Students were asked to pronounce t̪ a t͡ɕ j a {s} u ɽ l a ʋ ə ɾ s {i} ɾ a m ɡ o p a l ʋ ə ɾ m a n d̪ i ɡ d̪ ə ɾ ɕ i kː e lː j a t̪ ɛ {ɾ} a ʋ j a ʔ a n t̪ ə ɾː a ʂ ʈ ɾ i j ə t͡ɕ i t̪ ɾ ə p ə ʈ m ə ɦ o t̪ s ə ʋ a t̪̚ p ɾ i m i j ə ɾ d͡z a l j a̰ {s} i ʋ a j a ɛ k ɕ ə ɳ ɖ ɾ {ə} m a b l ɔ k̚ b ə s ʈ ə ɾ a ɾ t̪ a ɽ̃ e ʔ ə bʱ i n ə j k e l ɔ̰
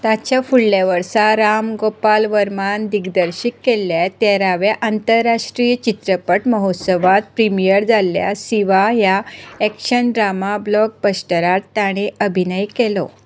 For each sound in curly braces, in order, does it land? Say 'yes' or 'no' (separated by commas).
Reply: no, no, yes, yes, no